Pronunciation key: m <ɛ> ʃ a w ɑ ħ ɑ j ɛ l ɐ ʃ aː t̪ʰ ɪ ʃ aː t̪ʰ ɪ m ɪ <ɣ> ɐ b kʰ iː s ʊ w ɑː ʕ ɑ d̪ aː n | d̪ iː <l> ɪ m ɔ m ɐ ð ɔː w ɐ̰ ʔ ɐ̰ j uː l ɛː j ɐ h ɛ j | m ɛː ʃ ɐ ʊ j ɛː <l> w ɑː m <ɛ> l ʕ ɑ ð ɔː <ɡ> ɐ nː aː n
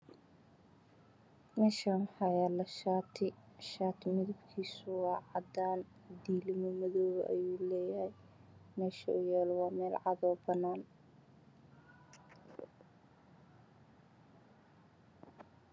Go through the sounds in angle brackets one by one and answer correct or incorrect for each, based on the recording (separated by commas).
incorrect, incorrect, correct, correct, incorrect, incorrect